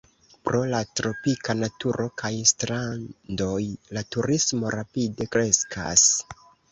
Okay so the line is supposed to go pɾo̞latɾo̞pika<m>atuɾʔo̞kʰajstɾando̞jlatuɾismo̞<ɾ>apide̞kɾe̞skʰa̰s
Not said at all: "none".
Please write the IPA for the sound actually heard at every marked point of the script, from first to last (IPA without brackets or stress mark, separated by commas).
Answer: n, ɾ